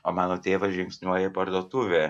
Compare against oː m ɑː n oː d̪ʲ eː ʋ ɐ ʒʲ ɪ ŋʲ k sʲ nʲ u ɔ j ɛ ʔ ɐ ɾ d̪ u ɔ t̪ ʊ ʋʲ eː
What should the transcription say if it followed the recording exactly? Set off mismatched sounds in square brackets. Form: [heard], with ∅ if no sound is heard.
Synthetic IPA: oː m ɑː n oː [t̪ʲ] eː ʋ ɐ ʒʲ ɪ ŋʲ k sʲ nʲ u ɔ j ɛ [p] ɐ ɾ d̪ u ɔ t̪ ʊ ʋʲ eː